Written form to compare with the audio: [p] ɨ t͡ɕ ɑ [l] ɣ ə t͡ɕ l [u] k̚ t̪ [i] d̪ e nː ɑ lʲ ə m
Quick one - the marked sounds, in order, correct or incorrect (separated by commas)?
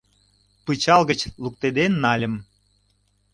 correct, correct, correct, incorrect